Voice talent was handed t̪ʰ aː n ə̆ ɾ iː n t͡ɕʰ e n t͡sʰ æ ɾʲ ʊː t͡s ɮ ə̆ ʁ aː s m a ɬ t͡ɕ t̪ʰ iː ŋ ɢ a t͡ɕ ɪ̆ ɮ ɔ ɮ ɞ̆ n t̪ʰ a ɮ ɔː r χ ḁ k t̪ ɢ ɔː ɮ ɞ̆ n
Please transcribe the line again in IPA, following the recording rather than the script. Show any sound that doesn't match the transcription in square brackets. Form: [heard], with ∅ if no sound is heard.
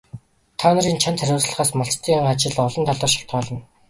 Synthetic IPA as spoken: t̪ʰ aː n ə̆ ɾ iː n t͡ɕʰ [a] n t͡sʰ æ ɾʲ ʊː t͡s ɮ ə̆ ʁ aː s m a ɬ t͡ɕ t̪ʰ iː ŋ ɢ a t͡ɕ ɪ̆ ɮ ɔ ɮ ɞ̆ n t̪ʰ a ɮ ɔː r [ʃ] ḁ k t̪ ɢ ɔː ɮ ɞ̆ n

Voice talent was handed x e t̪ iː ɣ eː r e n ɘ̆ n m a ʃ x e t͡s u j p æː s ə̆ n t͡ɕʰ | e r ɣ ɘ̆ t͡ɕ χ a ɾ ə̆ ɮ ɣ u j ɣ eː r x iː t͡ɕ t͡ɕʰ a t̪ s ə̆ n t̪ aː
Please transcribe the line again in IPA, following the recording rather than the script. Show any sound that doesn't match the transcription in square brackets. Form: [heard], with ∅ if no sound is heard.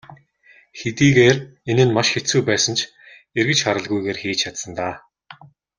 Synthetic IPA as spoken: x e t̪ iː ɣ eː r e n ɘ̆ n m a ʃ x e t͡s u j p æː s ə̆ n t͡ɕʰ | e r ɣ ɘ̆ t͡ɕ χ a ɾ ə̆ ɮ ɣ u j ɣ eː r x iː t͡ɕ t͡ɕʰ a t̪ s ə̆ n t̪ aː

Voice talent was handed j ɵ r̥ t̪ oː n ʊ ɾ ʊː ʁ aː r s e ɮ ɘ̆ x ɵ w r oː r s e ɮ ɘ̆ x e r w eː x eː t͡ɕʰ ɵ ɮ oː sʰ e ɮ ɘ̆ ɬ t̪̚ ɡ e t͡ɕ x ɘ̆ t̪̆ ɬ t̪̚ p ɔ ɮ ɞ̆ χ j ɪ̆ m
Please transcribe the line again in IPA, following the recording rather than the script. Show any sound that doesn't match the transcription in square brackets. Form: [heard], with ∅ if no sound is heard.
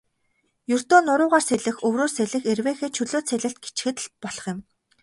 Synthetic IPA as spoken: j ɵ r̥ t̪ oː n ʊ ɾ ʊː ʁ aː r s e ɮ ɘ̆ x ɵ w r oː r s e ɮ ɘ̆ x e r w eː x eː t͡ɕʰ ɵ ɮ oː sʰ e ɮ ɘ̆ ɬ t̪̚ ɡ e t͡ɕ x ɘ̆ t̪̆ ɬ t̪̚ p ɔ ɮ ɞ̆ χ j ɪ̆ m

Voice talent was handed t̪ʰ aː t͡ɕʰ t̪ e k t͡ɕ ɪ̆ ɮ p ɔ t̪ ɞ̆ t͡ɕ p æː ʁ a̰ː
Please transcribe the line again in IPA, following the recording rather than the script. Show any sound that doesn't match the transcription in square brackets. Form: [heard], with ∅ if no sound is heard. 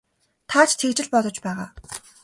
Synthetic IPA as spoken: t̪ʰ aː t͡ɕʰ [t̪ʰ] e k t͡ɕ ɪ̆ ɮ p ɔ t̪ ɞ̆ t͡ɕ p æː ʁ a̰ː

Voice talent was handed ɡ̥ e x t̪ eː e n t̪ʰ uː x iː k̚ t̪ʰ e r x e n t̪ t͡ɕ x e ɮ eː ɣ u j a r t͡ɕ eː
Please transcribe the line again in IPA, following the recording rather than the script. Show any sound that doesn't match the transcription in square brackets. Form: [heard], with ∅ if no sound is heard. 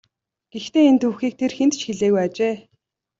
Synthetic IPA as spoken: ɡ̥ e x t̪ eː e n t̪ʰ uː x iː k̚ t̪ʰ e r x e n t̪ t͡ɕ x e ɮ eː ɣ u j a [∅] t͡ɕ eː

